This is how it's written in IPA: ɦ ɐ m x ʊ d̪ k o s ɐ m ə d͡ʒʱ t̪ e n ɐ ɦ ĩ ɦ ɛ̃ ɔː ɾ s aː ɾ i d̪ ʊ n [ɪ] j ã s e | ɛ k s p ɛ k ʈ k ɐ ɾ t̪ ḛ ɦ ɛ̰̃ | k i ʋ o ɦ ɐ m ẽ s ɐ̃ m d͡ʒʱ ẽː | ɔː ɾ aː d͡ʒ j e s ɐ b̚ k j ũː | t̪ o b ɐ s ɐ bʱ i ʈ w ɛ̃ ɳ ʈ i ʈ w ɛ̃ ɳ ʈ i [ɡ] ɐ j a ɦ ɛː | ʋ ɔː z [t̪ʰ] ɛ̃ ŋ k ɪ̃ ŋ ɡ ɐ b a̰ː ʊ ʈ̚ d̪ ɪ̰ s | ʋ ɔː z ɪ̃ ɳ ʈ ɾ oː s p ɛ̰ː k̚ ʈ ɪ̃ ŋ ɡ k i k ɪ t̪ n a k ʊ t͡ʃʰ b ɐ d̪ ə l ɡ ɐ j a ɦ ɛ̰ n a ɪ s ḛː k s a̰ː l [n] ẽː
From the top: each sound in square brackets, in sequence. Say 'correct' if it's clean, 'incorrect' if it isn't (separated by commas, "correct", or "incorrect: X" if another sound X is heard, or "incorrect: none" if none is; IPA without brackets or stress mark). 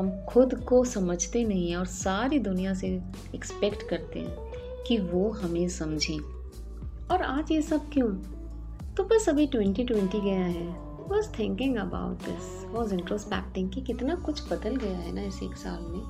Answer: incorrect: i, correct, correct, incorrect: m